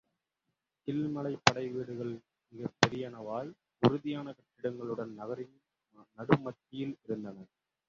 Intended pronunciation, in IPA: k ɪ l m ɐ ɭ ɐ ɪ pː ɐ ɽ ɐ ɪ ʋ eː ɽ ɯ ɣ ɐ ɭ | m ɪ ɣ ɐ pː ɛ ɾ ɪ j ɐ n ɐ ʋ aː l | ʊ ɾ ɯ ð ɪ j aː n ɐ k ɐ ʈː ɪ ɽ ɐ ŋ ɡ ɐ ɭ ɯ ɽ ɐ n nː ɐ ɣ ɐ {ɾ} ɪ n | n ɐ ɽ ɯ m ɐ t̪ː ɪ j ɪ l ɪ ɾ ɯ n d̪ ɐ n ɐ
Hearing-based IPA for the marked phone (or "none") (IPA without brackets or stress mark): ɾ